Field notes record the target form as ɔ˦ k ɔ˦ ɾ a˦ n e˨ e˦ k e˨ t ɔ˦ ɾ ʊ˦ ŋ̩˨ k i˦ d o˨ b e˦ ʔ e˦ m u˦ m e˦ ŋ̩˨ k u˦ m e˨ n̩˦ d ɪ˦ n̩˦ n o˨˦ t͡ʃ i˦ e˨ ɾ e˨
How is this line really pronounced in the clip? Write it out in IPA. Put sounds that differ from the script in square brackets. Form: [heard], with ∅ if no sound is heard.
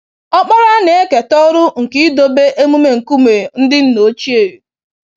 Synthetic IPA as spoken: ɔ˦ [k͡p] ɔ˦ ɾ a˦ n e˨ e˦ k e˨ t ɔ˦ ɾ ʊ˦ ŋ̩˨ k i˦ d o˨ b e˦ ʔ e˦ m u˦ m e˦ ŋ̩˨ k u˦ m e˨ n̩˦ d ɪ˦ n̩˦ n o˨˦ t͡ʃ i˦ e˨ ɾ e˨